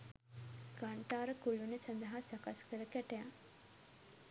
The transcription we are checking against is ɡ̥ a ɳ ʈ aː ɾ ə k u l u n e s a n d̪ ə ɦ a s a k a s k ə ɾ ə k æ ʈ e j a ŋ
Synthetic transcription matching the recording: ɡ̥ a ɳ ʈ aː ɾ ə k u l u n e s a n d̪ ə ɦ a s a k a s k ə ɾ ə k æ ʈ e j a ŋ